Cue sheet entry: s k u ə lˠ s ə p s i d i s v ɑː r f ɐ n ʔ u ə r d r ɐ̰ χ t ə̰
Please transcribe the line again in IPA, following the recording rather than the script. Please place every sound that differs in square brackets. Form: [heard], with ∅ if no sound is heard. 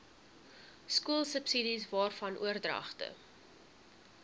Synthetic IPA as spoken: s k u ə lˠ s ə p s i d i s v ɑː r f ɐ n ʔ u ə r d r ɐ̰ χ t ə̰